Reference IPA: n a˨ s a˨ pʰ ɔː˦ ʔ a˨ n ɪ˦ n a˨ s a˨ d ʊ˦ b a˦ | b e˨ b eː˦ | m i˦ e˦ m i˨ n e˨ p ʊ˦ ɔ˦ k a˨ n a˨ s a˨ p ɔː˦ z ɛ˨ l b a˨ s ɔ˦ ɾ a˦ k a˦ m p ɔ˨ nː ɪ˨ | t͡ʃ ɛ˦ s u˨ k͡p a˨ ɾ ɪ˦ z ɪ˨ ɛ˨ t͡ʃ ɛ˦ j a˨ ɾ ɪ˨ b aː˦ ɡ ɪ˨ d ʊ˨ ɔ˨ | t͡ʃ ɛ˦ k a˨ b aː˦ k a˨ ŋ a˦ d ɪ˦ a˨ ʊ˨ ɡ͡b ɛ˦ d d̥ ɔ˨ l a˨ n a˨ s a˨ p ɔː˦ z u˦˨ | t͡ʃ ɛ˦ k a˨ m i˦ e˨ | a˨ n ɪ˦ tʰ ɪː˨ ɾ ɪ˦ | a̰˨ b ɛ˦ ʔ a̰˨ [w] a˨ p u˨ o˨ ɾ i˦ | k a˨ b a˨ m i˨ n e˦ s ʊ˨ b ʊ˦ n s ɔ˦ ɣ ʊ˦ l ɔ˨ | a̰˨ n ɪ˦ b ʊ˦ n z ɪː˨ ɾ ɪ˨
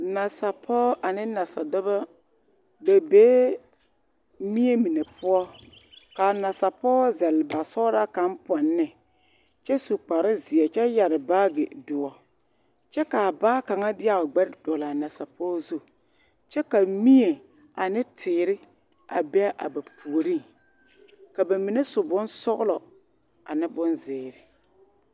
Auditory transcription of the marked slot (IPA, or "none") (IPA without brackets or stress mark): b